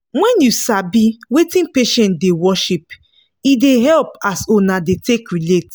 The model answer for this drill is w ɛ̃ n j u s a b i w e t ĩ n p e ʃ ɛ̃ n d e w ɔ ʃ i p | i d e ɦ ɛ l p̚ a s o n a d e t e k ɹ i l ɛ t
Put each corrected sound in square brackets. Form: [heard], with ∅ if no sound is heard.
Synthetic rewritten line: w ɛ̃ n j u s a b i w e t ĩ n p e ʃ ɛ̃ n d e w ɔ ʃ i p | i d e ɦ ɛ l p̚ a s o n a d e t e k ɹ i l [e] t

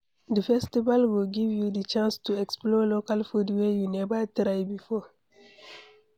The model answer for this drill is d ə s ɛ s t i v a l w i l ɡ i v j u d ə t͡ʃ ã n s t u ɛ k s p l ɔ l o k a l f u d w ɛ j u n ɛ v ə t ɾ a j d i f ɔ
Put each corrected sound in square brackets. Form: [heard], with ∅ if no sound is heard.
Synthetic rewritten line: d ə [f] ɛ s t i v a l w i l ɡ i v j u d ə t͡ʃ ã n s t u ɛ k s p l ɔ l o k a l f u d w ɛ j u n ɛ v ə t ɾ a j [b] i f ɔ

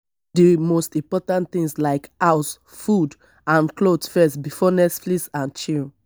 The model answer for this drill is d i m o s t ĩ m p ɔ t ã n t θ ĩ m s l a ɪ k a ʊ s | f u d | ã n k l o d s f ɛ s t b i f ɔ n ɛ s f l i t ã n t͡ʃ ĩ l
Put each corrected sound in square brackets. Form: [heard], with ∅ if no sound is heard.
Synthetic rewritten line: d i m o s t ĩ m p ɔ t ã n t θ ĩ [ŋ] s l a ɪ k a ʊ s | f u d | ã n k l o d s f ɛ s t b i f ɔ n ɛ s f l i [s] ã n t͡ʃ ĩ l

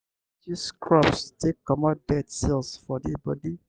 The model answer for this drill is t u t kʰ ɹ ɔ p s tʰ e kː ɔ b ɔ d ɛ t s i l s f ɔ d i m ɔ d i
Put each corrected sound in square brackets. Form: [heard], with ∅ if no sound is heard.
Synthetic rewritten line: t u [s] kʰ ɹ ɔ p s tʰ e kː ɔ [m] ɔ d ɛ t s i l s f ɔ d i [b] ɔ d i

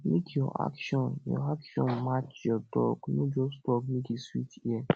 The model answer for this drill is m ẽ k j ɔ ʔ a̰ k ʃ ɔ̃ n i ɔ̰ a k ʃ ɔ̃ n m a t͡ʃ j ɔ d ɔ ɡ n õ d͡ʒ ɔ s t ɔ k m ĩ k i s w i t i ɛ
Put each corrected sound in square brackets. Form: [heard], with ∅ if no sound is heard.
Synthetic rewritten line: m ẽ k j ɔ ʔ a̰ k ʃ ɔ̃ n [j] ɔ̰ a k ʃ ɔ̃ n m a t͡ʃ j ɔ d ɔ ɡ n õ d͡ʒ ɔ s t ɔ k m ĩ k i s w i t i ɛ

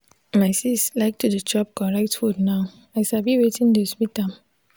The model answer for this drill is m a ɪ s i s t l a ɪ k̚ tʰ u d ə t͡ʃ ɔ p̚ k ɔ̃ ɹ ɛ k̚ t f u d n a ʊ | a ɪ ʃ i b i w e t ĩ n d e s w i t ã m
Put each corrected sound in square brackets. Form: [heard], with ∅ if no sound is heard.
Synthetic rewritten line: m a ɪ s i s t l a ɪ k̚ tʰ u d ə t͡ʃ ɔ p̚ k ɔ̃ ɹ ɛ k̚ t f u d n a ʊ | a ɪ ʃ [a] b i w e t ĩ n d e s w i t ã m

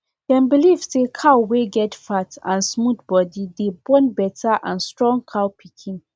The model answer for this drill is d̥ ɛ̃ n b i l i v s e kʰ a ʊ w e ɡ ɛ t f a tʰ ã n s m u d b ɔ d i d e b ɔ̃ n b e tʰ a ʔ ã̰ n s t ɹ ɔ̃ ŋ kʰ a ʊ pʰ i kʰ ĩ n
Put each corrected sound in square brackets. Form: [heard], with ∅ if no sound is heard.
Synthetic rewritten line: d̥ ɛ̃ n b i l i v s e kʰ a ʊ w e ɡ ɛ t f a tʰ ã n s m u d b ɔ d i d e b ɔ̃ n b [ɛ] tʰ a ʔ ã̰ n s t ɹ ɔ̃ ŋ kʰ a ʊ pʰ i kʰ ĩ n

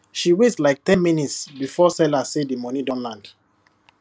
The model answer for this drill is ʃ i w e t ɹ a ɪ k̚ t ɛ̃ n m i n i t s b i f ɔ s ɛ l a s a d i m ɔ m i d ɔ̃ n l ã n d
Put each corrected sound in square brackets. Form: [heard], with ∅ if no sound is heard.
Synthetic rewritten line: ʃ i w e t [l] a ɪ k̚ t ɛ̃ n m i n i t s b i f ɔ s ɛ l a s [e] d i m ɔ [n] i d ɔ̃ n l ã n d

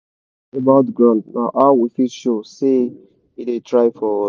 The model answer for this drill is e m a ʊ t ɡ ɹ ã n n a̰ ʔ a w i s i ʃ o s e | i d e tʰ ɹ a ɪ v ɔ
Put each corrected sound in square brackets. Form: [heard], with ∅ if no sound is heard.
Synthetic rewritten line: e [b] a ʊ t ɡ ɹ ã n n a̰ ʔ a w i [f] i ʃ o s e | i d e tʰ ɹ a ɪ [f] ɔ

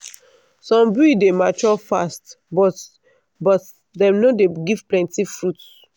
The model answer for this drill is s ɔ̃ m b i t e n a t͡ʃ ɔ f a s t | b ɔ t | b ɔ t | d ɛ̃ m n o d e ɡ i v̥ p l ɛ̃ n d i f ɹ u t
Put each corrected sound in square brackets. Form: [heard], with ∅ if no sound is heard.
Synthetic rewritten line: s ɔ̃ m b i [d] e [m] a t͡ʃ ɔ f a s t | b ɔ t | b ɔ t | d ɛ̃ m n o d e ɡ i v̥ p l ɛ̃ n [t] i f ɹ u t

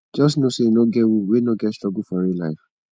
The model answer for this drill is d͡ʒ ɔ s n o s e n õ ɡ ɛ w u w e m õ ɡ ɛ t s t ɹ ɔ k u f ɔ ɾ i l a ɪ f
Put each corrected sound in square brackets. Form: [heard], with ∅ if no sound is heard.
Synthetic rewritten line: d͡ʒ ɔ s n o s e n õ ɡ ɛ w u w e [n] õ ɡ ɛ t s t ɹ ɔ [ɡ] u f ɔ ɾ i l a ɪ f

